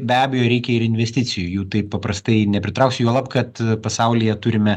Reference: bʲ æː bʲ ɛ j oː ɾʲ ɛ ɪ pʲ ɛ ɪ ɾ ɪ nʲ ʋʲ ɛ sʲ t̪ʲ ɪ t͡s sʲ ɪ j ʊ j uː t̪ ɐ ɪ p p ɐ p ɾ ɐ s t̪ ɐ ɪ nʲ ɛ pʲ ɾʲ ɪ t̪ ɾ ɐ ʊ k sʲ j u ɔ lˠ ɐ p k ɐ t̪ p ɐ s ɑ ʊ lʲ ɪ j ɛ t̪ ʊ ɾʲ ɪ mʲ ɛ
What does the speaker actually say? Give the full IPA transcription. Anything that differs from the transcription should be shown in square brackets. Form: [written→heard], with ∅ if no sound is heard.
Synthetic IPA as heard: bʲ æː bʲ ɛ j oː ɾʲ ɛ ɪ [pʲ→kʲ] ɛ ɪ ɾ ɪ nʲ ʋʲ ɛ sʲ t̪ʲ ɪ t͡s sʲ ɪ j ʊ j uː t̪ ɐ ɪ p p ɐ p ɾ ɐ s t̪ ɐ ɪ nʲ ɛ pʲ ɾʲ ɪ t̪ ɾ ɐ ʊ k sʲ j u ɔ lˠ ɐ p k ɐ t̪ p ɐ s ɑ ʊ lʲ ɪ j ɛ t̪ ʊ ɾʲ ɪ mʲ ɛ

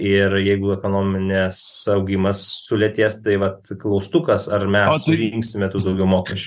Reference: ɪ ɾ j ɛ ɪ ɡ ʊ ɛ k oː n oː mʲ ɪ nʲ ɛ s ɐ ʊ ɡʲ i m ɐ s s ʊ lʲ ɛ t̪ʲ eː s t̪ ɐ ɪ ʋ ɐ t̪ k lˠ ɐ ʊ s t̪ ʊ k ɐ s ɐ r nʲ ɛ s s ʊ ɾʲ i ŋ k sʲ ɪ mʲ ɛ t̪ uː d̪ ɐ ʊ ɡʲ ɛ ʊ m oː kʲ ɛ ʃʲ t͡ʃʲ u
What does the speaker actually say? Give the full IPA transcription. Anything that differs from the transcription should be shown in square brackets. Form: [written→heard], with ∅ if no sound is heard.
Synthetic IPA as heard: ɪ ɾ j ɛ ɪ ɡ ʊ ɛ k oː n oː mʲ ɪ nʲ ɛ s ɐ ʊ ɡʲ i m ɐ s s ʊ lʲ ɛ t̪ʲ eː s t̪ ɐ ɪ ʋ ɐ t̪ k lˠ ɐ ʊ s t̪ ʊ k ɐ s ɐ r [nʲ→mʲ] ɛ s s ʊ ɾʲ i ŋ k sʲ ɪ mʲ ɛ t̪ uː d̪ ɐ ʊ ɡʲ ɛ ʊ m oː kʲ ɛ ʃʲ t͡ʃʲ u

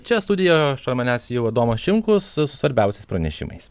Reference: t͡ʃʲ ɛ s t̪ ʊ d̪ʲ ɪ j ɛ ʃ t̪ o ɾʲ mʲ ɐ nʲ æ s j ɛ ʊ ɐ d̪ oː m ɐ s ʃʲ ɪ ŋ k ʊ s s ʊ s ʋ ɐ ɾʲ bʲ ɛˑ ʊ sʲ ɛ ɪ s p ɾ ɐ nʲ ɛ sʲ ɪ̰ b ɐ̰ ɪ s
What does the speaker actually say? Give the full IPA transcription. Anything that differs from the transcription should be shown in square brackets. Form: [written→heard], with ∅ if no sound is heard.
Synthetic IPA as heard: t͡ʃʲ ɛ s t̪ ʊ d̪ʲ ɪ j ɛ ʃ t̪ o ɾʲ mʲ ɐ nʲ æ s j ɛ ʊ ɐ d̪ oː m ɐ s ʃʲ ɪ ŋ k ʊ s s ʊ s ʋ ɐ ɾʲ bʲ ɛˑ ʊ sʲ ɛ ɪ s p ɾ ɐ nʲ ɛ [sʲ→ʃʲ] ɪ̰ [b→m] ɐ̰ ɪ s

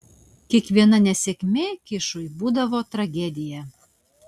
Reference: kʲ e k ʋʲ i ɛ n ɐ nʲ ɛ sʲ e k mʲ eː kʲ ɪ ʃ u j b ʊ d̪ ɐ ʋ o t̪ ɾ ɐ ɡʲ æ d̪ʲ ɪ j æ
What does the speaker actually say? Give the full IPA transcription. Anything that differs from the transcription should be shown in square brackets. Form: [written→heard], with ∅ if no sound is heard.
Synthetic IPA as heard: kʲ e k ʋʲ i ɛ n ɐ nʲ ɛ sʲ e k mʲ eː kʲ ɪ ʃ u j b [ʊ→u] d̪ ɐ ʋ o t̪ ɾ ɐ ɡʲ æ d̪ʲ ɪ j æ

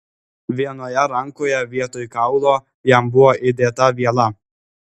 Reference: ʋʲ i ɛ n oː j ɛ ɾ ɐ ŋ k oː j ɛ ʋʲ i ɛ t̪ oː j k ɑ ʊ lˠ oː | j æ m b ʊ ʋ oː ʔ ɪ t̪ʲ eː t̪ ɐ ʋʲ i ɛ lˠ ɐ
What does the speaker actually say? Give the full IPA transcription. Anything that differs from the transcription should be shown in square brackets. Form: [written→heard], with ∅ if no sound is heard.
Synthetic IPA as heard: ʋʲ i ɛ n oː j ɛ ɾ ɐ ŋ k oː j ɛ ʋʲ i ɛ t̪ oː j k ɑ ʊ lˠ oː | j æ m b ʊ ʋ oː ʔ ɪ [t̪ʲ→d̪ʲ] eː t̪ ɐ ʋʲ i ɛ lˠ ɐ

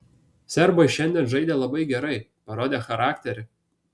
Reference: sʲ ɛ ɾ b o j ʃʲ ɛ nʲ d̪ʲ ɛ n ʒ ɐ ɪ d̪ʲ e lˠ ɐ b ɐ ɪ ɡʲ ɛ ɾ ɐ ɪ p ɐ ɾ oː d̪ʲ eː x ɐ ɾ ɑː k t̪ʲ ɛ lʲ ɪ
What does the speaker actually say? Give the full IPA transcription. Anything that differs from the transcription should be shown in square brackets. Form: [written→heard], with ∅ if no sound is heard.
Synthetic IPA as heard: sʲ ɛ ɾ b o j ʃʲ ɛ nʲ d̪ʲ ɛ n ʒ ɐ ɪ d̪ʲ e lˠ ɐ b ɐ ɪ ɡʲ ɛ ɾ ɐ ɪ p ɐ ɾ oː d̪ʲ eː x ɐ ɾ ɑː k t̪ʲ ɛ [lʲ→ɾʲ] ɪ

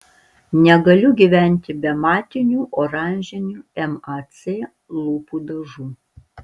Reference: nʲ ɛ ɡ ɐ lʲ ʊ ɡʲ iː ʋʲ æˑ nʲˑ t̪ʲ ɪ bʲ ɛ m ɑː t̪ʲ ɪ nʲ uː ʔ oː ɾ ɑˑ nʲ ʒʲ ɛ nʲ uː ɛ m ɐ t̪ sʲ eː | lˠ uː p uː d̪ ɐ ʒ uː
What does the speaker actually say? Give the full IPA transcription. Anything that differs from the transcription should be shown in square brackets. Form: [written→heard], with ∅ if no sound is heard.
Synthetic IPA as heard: nʲ ɛ ɡ ɐ lʲ ʊ ɡʲ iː ʋʲ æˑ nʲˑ t̪ʲ ɪ bʲ ɛ m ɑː t̪ʲ ɪ nʲ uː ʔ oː ɾ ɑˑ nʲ ʒʲ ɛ nʲ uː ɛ m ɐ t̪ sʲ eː | lˠ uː p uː d̪ ɐ ʒ uː

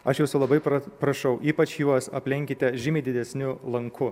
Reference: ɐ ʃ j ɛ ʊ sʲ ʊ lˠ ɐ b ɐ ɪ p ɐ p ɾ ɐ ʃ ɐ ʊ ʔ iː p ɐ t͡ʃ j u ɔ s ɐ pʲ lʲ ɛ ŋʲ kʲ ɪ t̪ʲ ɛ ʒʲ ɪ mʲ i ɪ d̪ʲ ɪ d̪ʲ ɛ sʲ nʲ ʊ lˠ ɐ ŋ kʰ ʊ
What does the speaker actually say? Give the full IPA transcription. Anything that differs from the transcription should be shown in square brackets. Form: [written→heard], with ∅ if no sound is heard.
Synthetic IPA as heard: ɐ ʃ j ɛ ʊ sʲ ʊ lˠ ɐ b ɐ ɪ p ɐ p ɾ ɐ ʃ ɐ ʊ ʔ iː p ɐ t͡ʃ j u ɔ s ɐ pʲ lʲ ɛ ŋʲ kʲ ɪ t̪ʲ ɛ ʒʲ ɪ mʲ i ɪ d̪ʲ ɪ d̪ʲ ɛ sʲ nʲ ʊ lˠ ɐ ŋ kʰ ʊ

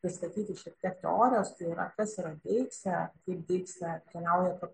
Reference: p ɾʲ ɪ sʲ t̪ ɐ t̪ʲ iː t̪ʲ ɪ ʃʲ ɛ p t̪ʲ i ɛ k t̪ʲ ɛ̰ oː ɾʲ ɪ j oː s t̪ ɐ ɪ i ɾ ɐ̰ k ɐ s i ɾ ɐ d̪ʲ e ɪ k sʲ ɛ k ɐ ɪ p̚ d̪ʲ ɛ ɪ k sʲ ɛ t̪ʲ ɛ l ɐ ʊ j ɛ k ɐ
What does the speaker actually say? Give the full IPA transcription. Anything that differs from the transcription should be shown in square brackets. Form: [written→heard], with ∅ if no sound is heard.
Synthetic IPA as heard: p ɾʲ ɪ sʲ t̪ ɐ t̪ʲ iː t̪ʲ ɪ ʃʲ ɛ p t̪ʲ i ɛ k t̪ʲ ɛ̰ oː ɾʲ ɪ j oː s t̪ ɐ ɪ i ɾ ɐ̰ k ɐ s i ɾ ɐ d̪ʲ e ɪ k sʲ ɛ k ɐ ɪ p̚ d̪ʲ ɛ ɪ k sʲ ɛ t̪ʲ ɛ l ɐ ʊ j ɛ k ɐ

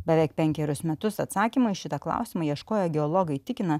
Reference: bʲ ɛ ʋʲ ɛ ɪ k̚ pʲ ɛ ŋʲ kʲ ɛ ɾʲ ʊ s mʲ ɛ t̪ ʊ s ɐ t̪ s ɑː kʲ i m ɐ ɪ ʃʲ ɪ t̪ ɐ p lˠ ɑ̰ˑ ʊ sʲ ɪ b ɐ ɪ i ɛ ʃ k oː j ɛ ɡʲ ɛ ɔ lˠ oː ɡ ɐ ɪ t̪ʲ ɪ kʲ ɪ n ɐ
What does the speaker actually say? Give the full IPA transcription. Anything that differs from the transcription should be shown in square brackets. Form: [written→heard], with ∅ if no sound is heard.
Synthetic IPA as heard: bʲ ɛ ʋʲ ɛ ɪ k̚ pʲ ɛ ŋʲ kʲ ɛ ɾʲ ʊ s mʲ ɛ t̪ ʊ s ɐ t̪ s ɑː kʲ i m ɐ ɪ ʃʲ ɪ t̪ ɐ [p→k] lˠ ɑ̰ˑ ʊ sʲ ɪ [b→m] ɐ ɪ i ɛ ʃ k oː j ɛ ɡʲ ɛ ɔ lˠ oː ɡ ɐ ɪ t̪ʲ ɪ kʲ ɪ n ɐ

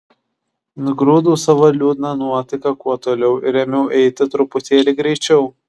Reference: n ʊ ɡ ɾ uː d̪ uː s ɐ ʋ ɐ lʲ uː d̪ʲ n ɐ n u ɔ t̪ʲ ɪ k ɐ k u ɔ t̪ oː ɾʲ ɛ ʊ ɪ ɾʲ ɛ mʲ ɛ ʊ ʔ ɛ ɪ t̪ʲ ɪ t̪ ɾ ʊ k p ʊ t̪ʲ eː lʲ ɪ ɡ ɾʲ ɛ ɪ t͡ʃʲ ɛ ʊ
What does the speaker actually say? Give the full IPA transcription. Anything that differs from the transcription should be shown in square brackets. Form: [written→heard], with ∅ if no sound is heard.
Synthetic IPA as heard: n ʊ ɡ ɾ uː d̪ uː s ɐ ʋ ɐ lʲ uː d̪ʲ n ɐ n u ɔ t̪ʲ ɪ k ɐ k u ɔ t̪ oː [ɾʲ→lʲ] ɛ ʊ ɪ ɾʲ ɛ mʲ ɛ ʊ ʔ ɛ ɪ t̪ʲ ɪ t̪ ɾ ʊ [k→∅] p ʊ t̪ʲ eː lʲ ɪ ɡ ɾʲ ɛ ɪ t͡ʃʲ ɛ ʊ

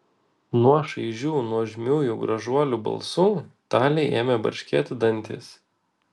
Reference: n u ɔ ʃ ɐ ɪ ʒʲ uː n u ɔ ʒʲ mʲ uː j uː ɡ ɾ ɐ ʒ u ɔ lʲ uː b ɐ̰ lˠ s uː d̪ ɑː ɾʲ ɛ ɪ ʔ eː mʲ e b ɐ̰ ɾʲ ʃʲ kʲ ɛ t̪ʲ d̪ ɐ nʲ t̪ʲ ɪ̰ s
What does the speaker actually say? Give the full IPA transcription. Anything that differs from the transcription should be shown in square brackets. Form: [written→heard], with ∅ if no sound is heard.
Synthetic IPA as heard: n u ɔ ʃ ɐ ɪ ʒʲ uː n u ɔ ʒʲ mʲ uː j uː ɡ ɾ ɐ ʒ u ɔ lʲ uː b ɐ̰ lˠ s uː [d̪→t̪] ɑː [ɾʲ→lʲ] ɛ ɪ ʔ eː mʲ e b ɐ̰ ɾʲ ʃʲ kʲ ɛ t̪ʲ d̪ ɐ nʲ t̪ʲ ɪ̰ s

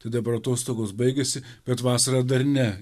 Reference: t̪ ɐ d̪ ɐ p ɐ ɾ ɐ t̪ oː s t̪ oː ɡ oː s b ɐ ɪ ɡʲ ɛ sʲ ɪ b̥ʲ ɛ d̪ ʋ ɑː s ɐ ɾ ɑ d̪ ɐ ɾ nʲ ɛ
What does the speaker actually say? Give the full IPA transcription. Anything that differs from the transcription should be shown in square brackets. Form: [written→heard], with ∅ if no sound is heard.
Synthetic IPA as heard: t̪ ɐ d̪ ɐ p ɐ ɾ ɐ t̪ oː s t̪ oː ɡ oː s b ɐ ɪ ɡʲ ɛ sʲ ɪ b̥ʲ ɛ [d̪→t̪] ʋ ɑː s ɐ ɾ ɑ d̪ ɐ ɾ nʲ ɛ

